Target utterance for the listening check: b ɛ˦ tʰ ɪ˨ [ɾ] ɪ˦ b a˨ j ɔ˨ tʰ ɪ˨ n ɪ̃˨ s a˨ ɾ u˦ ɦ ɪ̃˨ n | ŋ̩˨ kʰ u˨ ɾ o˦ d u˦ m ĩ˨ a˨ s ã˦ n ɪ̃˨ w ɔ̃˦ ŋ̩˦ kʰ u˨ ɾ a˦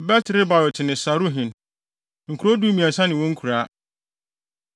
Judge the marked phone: correct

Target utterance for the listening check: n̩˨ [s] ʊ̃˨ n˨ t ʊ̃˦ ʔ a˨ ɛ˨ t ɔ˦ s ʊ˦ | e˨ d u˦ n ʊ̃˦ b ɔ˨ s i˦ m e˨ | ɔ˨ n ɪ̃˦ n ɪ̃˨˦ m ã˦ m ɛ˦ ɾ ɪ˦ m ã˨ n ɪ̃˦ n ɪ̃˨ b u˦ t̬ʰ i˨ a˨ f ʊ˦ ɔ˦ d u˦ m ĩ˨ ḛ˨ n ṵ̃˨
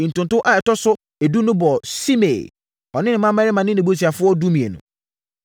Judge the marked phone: incorrect: t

